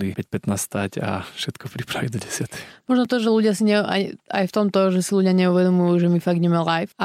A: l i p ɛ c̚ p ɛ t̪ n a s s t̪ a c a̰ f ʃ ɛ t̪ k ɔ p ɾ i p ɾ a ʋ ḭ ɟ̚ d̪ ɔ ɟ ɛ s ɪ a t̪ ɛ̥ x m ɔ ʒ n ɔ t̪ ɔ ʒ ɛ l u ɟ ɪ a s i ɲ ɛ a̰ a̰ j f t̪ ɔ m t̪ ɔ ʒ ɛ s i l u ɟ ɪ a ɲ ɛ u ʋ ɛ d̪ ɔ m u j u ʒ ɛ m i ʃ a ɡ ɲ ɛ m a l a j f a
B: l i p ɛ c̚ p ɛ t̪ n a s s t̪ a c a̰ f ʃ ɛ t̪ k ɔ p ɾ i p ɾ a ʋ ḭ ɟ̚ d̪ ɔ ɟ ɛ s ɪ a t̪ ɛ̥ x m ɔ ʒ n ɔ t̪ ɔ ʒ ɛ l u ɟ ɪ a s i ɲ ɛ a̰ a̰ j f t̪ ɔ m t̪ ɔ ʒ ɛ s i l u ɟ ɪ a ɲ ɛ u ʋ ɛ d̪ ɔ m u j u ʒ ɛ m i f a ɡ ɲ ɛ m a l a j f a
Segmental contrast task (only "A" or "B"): B